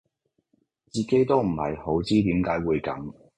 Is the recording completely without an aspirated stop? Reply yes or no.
yes